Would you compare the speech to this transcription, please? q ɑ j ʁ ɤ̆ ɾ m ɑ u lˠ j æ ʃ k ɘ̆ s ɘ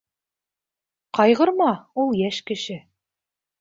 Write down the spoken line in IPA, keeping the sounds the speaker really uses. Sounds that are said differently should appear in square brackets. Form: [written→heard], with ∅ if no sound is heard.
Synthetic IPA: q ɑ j ʁ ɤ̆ ɾ m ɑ u lˠ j æ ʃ k ɘ̆ [s→ʃ] ɘ